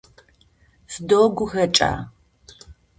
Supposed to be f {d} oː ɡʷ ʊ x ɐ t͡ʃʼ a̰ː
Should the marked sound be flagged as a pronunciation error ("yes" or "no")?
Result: no